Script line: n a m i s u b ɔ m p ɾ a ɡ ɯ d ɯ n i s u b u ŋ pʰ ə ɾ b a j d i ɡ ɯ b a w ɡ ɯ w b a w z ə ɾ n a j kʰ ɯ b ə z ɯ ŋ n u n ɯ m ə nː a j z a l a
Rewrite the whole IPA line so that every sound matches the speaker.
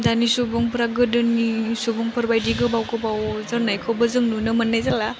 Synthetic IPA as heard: d a n i s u b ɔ ŋ p ɾ a ɡ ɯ d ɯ n i s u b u ŋ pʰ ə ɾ b a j d i ɡ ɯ b a w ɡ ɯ b a w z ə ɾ n a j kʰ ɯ b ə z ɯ ŋ n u n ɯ m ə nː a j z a l a